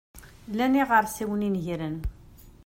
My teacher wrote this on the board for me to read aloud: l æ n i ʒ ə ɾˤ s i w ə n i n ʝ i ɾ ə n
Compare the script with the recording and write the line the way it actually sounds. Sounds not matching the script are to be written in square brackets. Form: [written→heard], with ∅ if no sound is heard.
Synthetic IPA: l æ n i [ʒ→ʁ] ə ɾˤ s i w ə n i n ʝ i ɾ ə n